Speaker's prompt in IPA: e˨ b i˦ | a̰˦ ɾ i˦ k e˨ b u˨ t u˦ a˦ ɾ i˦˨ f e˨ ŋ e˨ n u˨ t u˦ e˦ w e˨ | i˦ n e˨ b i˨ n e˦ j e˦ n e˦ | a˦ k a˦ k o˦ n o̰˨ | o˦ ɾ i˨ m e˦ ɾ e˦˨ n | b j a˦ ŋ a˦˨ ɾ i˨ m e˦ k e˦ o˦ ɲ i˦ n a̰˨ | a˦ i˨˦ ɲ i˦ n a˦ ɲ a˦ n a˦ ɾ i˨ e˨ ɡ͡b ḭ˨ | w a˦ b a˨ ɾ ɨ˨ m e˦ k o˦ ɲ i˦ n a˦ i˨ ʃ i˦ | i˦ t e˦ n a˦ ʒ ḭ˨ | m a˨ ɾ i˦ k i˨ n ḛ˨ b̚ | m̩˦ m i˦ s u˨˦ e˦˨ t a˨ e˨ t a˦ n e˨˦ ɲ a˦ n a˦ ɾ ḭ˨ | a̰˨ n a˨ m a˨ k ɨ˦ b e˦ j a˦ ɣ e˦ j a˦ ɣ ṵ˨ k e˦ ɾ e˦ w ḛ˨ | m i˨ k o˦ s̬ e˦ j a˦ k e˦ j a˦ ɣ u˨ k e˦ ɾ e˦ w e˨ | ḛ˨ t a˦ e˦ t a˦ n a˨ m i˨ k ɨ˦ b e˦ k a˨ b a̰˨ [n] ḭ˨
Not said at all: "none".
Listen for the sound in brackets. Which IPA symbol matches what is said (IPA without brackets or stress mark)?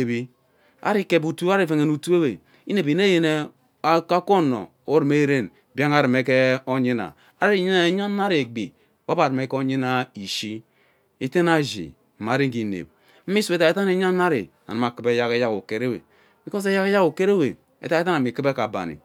n